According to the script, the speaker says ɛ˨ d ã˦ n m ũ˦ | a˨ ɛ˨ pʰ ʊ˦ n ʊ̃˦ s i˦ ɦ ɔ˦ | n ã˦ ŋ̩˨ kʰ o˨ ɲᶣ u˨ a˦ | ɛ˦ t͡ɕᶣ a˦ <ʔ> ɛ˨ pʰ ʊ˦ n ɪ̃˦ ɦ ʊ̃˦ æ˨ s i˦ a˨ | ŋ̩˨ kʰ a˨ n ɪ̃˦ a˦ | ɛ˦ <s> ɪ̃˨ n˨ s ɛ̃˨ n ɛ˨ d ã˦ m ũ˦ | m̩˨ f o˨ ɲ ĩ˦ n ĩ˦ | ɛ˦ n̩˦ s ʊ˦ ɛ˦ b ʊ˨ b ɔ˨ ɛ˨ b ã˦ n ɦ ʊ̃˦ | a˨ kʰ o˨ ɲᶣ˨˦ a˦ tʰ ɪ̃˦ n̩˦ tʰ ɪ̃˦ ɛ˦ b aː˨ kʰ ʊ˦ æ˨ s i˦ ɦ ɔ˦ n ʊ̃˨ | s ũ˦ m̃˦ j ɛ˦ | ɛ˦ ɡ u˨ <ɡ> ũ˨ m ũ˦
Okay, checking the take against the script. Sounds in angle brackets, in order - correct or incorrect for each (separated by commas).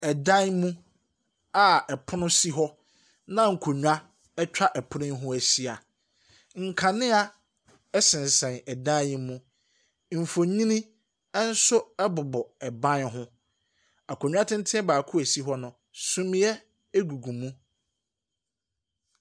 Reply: correct, correct, correct